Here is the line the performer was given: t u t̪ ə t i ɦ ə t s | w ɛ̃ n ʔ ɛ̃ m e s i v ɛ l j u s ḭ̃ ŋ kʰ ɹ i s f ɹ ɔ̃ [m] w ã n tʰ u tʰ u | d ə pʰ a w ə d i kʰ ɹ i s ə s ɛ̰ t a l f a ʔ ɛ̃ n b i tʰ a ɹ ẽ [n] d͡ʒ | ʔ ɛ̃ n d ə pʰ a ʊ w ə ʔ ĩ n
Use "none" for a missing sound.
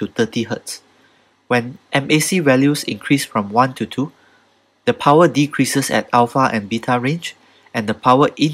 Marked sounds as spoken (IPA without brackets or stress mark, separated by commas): m, n